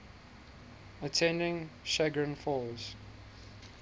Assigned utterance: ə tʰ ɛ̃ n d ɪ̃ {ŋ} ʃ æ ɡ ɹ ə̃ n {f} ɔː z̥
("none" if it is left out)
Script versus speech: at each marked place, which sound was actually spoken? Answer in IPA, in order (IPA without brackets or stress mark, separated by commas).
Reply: ŋ, f